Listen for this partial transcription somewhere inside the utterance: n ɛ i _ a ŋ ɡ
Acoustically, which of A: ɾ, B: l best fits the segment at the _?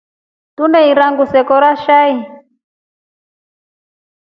A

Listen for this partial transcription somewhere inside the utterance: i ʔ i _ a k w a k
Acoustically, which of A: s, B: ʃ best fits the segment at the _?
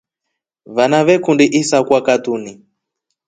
A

